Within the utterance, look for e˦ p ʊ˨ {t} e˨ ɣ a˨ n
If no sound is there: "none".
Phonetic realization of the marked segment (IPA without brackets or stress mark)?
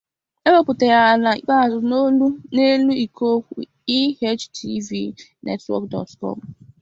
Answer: t